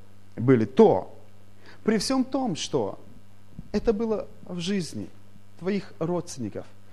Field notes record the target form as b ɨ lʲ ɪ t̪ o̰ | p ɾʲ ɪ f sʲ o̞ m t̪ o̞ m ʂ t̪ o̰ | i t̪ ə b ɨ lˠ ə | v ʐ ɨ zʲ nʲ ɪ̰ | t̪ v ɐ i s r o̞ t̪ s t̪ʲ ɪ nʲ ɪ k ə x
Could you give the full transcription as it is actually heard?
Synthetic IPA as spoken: b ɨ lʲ ɪ t̪ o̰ | p ɾʲ ɪ f sʲ o̞ m t̪ o̞ m ʂ t̪ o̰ | ɛ t̪ ə b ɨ lˠ ə | v ʐ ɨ zʲ nʲ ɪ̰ | t̪ v ɐ i x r o̞ t̪ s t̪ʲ ɪ nʲ ɪ k ə f